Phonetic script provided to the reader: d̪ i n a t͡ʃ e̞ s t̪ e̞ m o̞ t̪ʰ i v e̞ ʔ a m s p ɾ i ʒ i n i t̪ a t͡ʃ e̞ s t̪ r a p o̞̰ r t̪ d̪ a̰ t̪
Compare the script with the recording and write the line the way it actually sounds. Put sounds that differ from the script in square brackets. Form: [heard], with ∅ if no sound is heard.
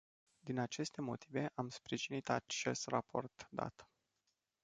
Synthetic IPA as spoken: d̪ i n a t͡ʃ e̞ s t̪ e̞ m o̞ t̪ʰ i v e̞ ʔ a m s p ɾ i ʒ i n i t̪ a t͡ʃ e̞ s t̪ r a p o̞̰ r t̪ d̪ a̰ t̪